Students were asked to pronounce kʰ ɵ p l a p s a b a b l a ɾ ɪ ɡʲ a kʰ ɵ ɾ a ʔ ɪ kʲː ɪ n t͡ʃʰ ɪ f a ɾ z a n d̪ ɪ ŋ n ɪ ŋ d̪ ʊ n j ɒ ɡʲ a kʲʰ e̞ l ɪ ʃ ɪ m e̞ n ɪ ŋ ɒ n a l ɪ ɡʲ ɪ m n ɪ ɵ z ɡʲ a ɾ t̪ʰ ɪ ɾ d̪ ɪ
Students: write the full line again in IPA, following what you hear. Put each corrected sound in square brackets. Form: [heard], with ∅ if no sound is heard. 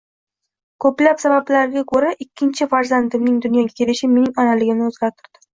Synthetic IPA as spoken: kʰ ɵ p l a p s a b a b l a ɾ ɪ ɡʲ a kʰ ɵ ɾ a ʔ ɪ kʲː ɪ n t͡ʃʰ ɪ f a ɾ z a n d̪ ɪ [m] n ɪ ŋ d̪ ʊ n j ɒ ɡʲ a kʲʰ e̞ l ɪ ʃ ɪ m e̞ n ɪ ŋ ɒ n a l ɪ ɡʲ ɪ m n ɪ ɵ z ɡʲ a ɾ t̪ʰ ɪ ɾ d̪ ɪ